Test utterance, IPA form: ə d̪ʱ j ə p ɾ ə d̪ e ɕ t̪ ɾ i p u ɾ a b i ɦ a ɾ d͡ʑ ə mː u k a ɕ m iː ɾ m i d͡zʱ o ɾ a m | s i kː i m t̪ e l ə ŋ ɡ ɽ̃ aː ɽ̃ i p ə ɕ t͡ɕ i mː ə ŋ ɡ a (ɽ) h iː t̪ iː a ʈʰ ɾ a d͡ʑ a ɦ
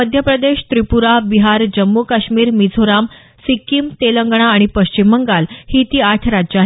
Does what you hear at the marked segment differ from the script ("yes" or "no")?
yes